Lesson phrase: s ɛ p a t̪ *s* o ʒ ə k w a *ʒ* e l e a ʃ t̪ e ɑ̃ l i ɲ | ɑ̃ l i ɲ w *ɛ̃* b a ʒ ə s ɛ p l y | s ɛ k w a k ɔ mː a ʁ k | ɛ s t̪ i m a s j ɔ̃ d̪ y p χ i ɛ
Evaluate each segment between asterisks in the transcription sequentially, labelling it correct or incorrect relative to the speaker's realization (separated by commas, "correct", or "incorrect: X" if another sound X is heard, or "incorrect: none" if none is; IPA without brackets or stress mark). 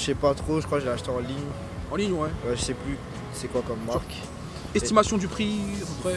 incorrect: χ, correct, incorrect: ɛ